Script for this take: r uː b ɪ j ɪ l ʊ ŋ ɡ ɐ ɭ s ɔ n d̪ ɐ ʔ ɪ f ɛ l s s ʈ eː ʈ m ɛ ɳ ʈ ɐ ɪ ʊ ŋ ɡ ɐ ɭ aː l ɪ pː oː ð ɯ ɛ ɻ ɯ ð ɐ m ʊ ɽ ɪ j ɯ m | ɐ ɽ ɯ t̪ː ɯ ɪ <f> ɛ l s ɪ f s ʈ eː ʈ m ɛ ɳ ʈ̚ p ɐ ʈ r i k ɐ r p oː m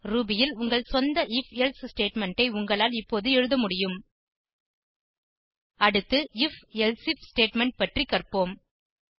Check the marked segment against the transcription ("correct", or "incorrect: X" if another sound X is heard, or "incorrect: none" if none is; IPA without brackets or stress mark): correct